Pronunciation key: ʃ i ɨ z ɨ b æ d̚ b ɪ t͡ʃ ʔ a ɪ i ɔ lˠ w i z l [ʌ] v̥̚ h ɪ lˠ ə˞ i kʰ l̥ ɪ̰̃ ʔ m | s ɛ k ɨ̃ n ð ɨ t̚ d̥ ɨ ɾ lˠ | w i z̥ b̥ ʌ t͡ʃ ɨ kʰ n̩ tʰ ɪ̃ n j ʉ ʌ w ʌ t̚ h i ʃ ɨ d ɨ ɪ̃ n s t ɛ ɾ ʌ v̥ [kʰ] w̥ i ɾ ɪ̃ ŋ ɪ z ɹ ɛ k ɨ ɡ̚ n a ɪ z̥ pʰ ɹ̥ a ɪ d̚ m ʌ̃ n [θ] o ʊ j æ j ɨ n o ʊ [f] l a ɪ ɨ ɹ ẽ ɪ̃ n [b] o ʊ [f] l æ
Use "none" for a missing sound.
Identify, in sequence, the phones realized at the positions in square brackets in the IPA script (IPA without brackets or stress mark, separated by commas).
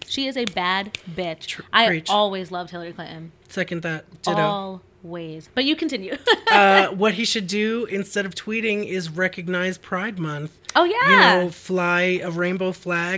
ʌ, tʰ, θ, f, b, f